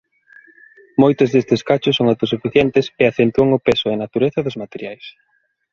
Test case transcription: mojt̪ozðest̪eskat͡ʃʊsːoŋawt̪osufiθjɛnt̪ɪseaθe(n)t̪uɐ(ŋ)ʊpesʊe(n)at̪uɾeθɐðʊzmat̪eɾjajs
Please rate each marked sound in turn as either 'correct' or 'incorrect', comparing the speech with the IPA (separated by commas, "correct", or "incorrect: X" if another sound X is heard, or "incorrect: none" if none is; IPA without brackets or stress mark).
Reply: correct, correct, correct